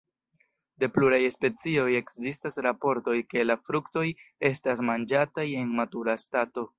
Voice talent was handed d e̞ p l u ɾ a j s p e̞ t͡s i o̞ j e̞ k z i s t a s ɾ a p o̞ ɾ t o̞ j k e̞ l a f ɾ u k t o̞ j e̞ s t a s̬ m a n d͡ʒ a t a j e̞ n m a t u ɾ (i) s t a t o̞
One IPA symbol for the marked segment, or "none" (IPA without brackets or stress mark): a